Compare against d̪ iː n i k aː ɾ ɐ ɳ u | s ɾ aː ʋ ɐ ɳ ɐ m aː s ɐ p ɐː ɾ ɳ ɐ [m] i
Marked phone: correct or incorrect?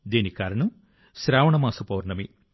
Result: correct